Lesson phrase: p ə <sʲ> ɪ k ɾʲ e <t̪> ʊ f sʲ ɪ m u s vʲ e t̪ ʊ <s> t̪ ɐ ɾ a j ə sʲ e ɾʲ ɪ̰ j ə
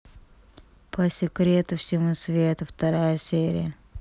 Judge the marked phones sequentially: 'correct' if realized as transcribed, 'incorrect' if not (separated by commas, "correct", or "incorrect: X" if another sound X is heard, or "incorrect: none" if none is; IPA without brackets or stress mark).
correct, correct, incorrect: f